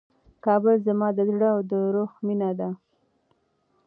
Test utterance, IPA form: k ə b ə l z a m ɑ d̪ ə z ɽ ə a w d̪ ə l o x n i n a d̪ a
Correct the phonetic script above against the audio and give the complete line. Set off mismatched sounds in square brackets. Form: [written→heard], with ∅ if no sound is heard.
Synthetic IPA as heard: k [ə→ɑ] b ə l z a m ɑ d̪ ə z ɽ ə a w d̪ ə [l→ɾ] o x [n→m] i n a d̪ a